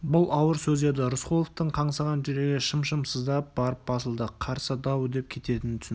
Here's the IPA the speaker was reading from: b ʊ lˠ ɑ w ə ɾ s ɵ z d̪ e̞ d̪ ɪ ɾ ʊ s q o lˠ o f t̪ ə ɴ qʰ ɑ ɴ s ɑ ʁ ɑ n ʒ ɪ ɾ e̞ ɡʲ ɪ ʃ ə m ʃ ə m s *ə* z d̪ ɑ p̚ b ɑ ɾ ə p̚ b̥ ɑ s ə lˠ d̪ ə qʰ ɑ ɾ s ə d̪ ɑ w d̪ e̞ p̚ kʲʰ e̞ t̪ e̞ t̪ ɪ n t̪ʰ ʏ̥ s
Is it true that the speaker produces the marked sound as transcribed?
yes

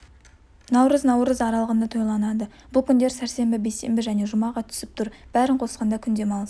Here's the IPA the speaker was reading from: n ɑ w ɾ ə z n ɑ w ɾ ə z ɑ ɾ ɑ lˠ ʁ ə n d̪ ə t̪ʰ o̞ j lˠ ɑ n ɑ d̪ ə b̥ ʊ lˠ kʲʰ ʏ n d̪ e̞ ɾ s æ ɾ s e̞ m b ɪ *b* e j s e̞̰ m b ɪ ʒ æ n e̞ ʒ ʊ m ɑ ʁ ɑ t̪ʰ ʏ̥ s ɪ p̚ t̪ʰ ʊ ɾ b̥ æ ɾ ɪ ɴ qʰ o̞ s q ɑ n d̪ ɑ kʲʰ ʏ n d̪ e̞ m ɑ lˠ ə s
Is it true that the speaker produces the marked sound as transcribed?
yes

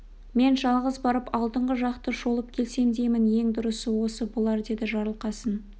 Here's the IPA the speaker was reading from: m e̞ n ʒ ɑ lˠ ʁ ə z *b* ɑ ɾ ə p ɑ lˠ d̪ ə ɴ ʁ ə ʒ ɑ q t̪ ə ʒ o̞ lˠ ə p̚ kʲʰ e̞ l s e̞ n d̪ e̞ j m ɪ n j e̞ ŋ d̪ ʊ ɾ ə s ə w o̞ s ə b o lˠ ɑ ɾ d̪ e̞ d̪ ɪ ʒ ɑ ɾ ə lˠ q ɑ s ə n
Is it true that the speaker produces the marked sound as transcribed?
yes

